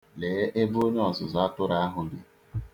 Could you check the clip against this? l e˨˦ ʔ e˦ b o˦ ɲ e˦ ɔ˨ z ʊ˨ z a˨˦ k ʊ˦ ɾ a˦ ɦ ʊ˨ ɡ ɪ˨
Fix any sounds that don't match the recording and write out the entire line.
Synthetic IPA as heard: l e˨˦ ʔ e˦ b o˦ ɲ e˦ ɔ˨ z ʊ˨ z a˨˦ t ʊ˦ ɾ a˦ ɦ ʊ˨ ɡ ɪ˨